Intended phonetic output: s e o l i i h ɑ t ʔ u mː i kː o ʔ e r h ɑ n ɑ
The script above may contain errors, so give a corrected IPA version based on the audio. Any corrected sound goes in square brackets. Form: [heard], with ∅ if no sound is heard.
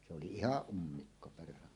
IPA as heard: s e o l i i h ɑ [ʔ] ʔ u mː i kː o [p] e r h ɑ n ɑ